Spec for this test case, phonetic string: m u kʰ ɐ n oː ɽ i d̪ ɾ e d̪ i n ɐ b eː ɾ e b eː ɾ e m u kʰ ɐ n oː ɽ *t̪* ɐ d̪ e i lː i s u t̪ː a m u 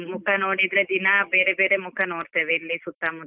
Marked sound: correct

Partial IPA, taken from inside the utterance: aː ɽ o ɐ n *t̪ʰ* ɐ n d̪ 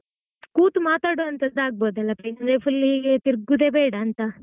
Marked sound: incorrect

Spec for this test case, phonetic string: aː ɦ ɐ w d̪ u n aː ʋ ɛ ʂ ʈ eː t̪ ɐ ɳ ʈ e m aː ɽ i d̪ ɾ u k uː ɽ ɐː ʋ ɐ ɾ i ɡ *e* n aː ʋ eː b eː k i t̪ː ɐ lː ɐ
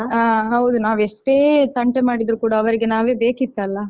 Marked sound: correct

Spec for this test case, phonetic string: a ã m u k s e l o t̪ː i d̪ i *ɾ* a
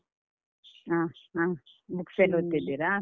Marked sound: correct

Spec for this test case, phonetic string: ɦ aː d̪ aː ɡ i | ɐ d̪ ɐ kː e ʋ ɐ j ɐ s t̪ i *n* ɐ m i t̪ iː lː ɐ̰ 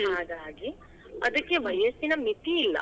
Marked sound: correct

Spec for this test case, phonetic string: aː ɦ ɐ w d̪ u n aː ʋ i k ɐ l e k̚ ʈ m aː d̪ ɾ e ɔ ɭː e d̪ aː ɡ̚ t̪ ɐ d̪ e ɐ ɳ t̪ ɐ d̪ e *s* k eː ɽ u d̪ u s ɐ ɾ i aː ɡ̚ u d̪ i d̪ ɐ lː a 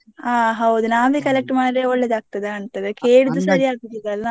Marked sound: incorrect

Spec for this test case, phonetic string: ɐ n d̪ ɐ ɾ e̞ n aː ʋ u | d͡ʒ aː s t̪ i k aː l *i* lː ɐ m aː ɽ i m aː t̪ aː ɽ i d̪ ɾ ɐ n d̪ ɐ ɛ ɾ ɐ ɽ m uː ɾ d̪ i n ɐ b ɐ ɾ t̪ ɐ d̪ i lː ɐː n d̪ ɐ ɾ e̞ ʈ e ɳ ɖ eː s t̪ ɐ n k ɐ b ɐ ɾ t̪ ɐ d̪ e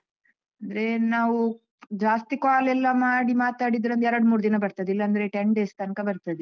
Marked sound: incorrect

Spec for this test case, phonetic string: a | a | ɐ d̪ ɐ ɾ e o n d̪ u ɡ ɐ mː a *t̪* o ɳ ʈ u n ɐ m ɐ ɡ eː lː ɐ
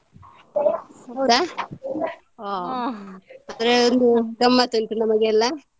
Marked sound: correct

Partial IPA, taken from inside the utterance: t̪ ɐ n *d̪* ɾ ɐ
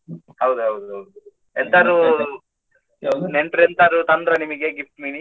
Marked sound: correct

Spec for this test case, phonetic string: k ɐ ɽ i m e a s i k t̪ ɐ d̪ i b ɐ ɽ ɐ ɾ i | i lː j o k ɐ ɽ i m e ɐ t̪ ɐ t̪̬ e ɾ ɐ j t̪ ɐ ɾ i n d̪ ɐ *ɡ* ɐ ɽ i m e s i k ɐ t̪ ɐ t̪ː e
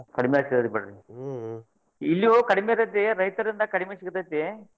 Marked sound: incorrect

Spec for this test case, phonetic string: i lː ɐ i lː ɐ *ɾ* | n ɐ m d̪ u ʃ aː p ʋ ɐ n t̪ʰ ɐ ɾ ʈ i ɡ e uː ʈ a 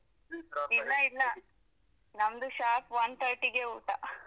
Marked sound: incorrect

